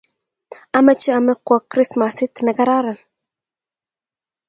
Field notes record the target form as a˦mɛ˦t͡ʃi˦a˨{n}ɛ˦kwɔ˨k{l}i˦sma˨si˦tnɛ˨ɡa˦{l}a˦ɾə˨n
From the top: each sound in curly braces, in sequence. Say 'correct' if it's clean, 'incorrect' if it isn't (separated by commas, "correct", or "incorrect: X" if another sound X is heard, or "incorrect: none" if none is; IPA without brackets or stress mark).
incorrect: m, incorrect: ɾ, incorrect: ɾ